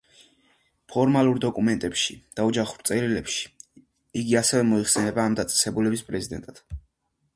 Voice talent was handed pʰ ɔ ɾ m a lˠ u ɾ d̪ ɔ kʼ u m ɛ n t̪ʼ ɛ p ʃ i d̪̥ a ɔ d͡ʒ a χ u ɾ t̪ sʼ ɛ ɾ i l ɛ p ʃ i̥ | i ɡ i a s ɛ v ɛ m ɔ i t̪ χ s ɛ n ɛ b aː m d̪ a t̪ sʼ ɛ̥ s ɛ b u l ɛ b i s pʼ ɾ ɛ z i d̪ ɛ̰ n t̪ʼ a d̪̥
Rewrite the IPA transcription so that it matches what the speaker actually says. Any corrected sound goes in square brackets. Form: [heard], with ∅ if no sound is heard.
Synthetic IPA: pʰ ɔ ɾ m a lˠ u ɾ d̪ ɔ kʼ u m ɛ n t̪ʼ ɛ p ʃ i d̪̥ a ɔ d͡ʒ a χ u ɾ t̪ sʼ ɛ ɾ i l ɛ p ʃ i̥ | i ɡ i a s ɛ v ɛ m ɔ i [∅] χ s ɛ n ɛ b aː m d̪ a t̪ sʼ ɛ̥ s ɛ b u l ɛ b i s pʼ ɾ ɛ z i d̪ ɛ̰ n t̪ʼ a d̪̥